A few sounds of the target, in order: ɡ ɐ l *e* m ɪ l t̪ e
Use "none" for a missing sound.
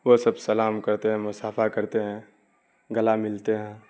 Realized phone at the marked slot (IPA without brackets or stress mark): a